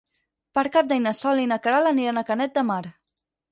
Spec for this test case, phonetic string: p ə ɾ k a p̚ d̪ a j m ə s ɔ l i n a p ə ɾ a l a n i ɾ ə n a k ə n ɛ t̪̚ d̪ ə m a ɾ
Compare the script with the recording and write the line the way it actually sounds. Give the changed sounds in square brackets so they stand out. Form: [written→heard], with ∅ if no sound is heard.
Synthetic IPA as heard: p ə ɾ k a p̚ d̪ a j [m→n] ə s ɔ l i n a [p→k] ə ɾ a l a n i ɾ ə n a k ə n ɛ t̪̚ d̪ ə m a ɾ